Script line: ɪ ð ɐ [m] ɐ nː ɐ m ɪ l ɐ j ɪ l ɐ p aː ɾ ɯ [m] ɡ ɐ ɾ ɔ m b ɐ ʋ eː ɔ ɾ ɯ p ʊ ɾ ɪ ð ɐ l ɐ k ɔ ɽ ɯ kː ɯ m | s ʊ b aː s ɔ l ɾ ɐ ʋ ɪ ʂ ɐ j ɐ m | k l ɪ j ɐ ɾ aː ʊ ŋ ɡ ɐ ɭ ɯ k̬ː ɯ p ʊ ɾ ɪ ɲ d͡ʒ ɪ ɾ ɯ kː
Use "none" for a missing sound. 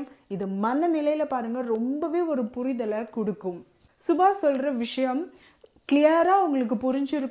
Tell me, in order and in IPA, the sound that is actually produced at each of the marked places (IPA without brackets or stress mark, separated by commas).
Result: m, ŋ